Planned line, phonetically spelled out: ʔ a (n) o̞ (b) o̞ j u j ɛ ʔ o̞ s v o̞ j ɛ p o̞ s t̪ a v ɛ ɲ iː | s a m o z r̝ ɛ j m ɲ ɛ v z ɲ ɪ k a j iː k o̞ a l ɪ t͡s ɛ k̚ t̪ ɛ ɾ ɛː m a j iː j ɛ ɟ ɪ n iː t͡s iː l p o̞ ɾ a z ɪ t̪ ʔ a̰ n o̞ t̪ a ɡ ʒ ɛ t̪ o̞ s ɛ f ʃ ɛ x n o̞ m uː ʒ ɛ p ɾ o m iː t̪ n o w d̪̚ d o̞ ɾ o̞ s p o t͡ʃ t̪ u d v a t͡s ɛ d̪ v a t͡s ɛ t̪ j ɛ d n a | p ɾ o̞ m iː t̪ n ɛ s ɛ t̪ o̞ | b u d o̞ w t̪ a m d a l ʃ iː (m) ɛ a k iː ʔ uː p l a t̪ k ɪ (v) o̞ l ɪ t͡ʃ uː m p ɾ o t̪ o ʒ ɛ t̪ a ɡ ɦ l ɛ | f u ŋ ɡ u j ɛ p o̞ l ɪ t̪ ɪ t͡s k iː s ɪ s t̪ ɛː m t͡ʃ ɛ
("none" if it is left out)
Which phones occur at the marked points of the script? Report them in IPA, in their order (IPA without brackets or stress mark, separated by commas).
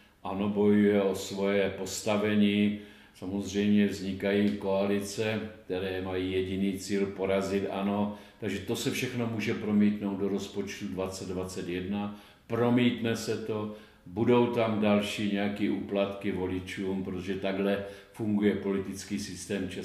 n, b, ɲ, v